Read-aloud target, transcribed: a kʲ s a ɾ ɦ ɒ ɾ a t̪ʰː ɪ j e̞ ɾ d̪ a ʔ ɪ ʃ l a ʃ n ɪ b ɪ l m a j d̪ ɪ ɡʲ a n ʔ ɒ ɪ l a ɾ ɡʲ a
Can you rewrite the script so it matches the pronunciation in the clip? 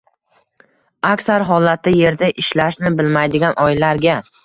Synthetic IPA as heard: a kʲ s a ɾ ɦ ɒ l a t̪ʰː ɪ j e̞ ɾ d̪ a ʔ ɪ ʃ l a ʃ n ɪ b ɪ l m a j d̪ ɪ ɡʲ a n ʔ ɒ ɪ l a ɾ ɡʲ a